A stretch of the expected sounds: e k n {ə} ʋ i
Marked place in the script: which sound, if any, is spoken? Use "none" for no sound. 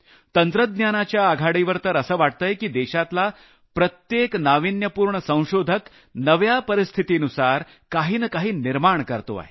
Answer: a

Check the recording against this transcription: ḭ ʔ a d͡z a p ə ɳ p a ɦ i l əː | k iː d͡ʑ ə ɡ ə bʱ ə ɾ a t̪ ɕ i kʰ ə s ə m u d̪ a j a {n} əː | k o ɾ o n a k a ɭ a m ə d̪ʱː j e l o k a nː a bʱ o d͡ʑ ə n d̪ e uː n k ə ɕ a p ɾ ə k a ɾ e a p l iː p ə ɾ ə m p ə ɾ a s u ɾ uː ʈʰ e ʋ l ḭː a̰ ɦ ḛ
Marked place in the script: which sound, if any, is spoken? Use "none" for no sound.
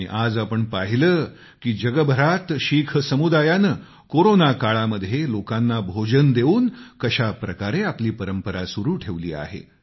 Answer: n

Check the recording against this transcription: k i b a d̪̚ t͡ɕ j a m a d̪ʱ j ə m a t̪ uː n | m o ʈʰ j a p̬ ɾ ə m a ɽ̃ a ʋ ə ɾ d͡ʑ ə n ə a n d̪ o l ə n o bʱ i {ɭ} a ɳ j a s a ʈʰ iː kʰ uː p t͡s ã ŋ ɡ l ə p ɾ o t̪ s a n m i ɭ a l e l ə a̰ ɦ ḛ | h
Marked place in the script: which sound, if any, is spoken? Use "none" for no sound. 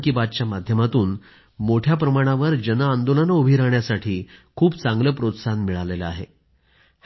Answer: ɾ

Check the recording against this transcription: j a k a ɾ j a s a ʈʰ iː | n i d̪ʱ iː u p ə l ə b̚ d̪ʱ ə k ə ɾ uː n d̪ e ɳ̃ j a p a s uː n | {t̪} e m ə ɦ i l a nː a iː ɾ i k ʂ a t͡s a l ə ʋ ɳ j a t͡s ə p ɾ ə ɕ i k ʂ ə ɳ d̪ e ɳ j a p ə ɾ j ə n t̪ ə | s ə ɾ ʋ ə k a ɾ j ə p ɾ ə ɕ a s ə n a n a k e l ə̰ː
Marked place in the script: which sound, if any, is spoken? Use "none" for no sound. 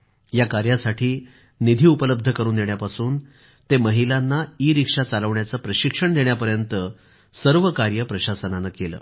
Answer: t̪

